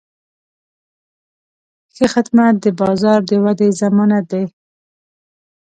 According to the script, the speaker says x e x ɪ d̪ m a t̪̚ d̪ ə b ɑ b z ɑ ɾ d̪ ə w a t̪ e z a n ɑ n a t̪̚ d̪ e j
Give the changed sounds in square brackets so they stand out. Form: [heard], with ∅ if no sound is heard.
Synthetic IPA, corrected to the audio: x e x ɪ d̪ m a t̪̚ d̪ ə b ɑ [∅] z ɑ ɾ d̪ ə w a [d̪] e z a [m] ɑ n a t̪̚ d̪ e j